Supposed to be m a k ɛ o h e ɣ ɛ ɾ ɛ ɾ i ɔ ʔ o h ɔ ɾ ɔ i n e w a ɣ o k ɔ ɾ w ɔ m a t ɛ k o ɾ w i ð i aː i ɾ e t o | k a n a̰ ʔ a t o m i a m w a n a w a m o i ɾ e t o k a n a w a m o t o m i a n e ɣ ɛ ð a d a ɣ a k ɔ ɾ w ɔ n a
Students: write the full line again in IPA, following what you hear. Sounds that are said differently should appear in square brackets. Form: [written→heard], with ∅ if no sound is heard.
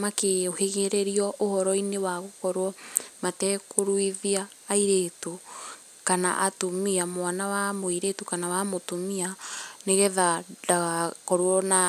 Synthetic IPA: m a k [ɛ→e] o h e ɣ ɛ ɾ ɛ ɾ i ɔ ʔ o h ɔ ɾ ɔ i n e w a ɣ o k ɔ ɾ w ɔ m a t ɛ k o ɾ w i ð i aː i ɾ e t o | k a n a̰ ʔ a t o m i a m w a n a w a m o i ɾ e t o k a n a w a m o t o m i a n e ɣ ɛ ð a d a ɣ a k ɔ ɾ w ɔ n a